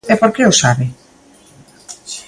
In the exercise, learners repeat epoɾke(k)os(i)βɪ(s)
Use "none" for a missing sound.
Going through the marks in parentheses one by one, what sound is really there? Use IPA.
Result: none, a, none

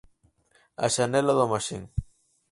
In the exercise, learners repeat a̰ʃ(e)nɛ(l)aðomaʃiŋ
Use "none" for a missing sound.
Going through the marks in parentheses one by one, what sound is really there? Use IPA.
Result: a, l

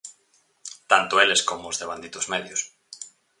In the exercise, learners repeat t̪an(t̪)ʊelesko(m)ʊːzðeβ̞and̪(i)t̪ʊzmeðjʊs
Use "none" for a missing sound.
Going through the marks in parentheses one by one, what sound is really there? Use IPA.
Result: t̪, m, i

